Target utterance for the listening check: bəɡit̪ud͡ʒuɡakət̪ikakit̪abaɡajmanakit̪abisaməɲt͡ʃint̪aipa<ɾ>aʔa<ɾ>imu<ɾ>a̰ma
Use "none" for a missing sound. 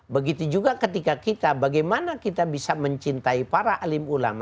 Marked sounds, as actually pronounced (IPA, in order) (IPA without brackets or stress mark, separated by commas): ɾ, l, l